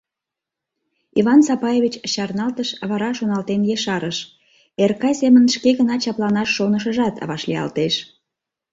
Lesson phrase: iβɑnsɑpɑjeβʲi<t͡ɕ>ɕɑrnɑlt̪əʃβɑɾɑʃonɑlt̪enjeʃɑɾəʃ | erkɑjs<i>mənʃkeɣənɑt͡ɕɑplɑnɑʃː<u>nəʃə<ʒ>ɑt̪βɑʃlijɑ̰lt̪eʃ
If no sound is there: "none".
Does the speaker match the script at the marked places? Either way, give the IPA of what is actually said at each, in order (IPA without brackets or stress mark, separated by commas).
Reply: t͡ɕ, e, o, ʒ